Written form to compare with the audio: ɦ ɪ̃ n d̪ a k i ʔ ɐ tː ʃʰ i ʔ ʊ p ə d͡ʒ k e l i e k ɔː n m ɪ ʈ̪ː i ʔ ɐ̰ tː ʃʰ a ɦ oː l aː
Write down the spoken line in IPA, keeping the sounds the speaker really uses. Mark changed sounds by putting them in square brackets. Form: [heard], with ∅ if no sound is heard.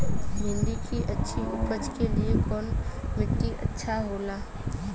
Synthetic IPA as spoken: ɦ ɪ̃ n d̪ [i] k i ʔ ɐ tː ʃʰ i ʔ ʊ p ə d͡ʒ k e l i e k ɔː n m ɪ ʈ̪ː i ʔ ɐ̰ tː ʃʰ a ɦ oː l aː